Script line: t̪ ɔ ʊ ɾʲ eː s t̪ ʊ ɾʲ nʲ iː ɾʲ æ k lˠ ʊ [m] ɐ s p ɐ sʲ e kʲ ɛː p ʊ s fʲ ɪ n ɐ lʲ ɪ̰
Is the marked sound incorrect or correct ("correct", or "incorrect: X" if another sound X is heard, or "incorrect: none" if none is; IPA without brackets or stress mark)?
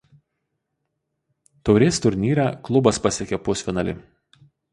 incorrect: b